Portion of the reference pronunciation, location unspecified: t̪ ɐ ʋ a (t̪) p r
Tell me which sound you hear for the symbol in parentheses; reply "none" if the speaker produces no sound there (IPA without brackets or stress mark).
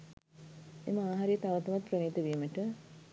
t̪